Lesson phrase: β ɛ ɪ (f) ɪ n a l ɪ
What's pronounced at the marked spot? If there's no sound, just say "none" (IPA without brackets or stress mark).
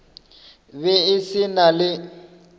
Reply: s